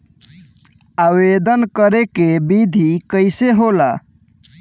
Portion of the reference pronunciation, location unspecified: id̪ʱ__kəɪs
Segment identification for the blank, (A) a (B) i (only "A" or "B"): B